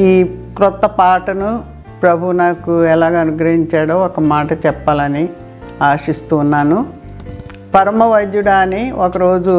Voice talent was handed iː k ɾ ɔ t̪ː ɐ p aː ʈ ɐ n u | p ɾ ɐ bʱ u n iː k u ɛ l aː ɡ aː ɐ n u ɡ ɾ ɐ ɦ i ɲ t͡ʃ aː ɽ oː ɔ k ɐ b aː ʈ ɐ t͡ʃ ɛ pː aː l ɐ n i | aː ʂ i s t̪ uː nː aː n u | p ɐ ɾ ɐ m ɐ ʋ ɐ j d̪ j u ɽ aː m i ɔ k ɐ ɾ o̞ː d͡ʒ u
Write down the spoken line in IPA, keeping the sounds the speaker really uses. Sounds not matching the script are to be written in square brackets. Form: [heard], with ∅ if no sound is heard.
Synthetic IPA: iː k ɾ ɔ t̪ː ɐ p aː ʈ ɐ n u | p ɾ ɐ bʱ u n [aː] k u ɛ l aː ɡ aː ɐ n u ɡ ɾ ɐ ɦ i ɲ t͡ʃ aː ɽ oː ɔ k ɐ [m] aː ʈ ɐ t͡ʃ ɛ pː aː l ɐ n i | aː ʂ i s t̪ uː nː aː n u | p ɐ ɾ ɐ m ɐ ʋ ɐ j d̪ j u ɽ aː [n] i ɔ k ɐ ɾ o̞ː d͡ʒ u